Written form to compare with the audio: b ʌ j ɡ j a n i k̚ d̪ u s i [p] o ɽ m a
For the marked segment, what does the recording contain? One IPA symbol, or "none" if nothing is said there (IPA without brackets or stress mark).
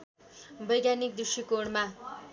k